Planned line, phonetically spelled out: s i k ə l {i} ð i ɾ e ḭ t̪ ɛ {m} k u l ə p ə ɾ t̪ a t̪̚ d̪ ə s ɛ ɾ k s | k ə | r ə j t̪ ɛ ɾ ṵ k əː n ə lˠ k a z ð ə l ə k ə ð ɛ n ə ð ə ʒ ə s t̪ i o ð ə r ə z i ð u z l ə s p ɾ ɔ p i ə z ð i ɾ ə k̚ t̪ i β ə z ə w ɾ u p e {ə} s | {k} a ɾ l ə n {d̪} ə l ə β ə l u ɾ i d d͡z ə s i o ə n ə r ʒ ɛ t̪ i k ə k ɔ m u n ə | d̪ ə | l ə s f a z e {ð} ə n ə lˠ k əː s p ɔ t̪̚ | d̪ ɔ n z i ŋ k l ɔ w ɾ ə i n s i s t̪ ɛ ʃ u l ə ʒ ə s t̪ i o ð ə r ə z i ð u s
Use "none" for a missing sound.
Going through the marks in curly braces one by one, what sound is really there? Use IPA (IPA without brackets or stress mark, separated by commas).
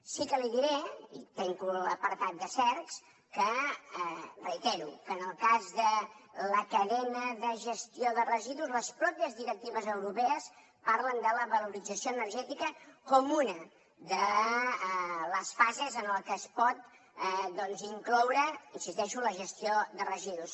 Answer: i, ŋ, ə, p, d̪, z